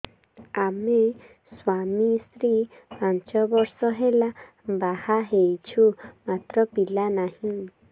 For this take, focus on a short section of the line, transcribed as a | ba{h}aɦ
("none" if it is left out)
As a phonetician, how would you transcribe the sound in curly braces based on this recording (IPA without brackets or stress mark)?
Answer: h